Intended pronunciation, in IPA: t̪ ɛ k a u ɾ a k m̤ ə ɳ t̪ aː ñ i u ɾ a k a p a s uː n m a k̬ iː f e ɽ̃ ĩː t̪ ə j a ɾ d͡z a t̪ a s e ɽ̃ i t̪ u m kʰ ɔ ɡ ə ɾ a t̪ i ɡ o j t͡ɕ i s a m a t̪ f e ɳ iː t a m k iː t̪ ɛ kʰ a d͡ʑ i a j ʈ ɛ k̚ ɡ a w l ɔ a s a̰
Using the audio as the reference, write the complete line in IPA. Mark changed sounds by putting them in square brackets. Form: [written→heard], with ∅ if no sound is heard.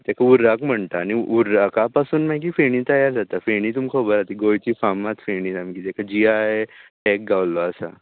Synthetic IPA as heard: t̪ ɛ k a u ɾ a k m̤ ə ɳ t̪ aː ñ i u ɾ a k a p a s uː n m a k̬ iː f e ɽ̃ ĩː t̪ ə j a ɾ d͡z a t̪ a [s→f] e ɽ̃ i t̪ u m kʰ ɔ [ɡ→b] ə ɾ a t̪ i ɡ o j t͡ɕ i [s→f] a m a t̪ f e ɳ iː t a m k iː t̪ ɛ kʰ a d͡ʑ i a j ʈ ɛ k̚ ɡ a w l ɔ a s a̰